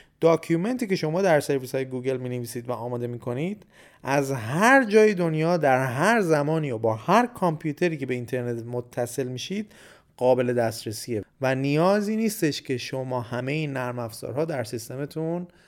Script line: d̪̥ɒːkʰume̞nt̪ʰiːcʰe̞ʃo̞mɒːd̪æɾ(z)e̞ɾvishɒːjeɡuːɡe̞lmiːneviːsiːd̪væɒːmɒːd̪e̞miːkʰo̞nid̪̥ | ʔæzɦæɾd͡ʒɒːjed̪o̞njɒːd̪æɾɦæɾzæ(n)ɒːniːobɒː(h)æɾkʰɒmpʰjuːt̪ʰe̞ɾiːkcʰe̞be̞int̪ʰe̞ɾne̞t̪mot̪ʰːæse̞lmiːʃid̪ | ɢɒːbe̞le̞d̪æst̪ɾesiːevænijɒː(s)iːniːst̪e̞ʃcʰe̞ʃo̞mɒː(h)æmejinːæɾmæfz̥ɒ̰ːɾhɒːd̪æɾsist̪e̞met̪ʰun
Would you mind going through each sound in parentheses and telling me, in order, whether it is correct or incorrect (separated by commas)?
incorrect, incorrect, correct, incorrect, correct